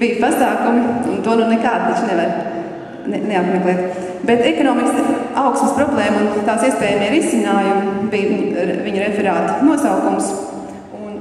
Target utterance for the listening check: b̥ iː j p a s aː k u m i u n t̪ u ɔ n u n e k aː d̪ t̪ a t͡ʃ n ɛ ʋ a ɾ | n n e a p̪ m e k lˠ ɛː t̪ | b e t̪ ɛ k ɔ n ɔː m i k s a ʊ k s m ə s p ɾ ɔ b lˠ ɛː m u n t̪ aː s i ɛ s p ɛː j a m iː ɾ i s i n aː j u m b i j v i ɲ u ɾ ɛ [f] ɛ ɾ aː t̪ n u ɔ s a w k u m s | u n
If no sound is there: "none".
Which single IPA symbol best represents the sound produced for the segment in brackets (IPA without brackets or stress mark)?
f